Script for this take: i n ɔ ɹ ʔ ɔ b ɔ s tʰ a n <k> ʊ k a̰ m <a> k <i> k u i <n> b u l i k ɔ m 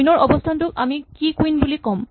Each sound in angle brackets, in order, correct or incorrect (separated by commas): incorrect, incorrect, correct, correct